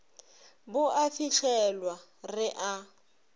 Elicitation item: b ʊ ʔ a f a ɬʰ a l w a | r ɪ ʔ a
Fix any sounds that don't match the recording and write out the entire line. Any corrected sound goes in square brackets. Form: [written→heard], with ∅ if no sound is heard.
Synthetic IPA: b ʊ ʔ a f [a→i] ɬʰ [a→ɛ] l w a | r ɪ ʔ a